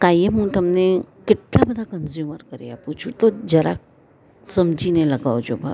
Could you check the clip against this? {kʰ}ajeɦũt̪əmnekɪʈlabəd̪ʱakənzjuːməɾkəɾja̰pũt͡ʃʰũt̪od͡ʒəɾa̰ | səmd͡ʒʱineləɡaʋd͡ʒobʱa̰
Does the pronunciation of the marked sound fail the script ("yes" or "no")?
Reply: yes